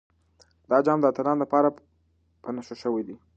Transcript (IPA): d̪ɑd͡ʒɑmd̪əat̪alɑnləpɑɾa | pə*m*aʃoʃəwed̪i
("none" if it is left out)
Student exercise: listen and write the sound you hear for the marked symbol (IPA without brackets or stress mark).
n